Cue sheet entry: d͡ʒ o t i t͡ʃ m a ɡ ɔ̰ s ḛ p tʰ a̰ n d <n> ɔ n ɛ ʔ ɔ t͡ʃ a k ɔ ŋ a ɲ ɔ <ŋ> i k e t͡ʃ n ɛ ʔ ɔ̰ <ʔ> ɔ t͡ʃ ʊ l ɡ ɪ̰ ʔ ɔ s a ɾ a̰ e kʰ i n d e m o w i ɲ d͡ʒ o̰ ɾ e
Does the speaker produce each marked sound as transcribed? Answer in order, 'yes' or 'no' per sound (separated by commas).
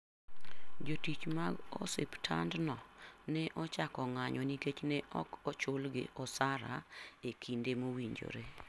yes, no, no